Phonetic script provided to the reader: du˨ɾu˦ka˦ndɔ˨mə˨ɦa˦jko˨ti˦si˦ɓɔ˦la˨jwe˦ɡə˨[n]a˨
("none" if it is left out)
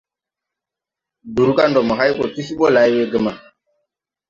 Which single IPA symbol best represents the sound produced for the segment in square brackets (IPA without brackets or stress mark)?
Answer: m